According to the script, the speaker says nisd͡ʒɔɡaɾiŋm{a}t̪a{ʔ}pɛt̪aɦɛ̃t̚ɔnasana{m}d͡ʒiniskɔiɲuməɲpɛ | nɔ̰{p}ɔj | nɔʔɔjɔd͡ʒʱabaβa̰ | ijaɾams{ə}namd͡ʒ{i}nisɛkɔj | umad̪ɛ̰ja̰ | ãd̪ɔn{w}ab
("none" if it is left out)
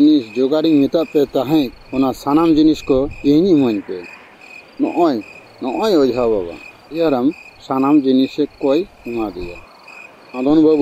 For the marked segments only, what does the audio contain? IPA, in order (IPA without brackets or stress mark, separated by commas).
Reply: i, ʔ, m, ʔ, a, i, b